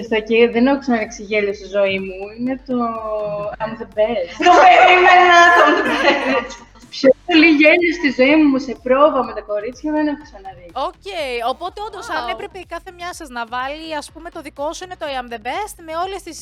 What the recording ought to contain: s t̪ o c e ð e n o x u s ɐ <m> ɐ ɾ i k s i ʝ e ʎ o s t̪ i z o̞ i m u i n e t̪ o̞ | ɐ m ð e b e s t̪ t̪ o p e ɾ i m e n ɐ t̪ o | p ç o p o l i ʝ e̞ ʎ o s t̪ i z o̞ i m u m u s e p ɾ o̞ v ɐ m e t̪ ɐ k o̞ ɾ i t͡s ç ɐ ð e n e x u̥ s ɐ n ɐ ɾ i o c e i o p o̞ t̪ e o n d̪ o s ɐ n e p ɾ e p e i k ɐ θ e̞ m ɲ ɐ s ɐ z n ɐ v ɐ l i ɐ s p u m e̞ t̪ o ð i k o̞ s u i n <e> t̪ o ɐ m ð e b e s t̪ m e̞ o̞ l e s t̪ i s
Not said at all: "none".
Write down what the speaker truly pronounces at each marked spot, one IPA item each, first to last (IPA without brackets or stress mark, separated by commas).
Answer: n, e